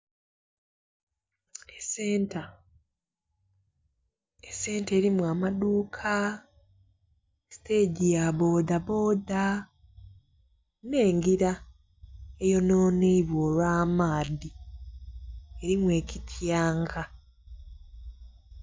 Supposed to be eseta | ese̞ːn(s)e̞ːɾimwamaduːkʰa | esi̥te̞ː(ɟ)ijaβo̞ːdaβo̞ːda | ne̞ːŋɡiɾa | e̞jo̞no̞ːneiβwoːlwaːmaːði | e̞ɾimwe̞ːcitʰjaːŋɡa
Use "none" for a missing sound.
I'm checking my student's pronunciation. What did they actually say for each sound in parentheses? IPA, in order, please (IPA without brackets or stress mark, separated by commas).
t, ɟ